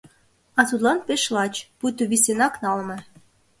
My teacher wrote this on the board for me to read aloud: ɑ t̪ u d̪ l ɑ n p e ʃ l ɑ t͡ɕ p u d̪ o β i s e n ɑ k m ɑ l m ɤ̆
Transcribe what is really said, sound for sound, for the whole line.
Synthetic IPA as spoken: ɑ t̪ u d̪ l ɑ n p e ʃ l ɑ t͡ɕ p u t̪ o β i s e n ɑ k n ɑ l m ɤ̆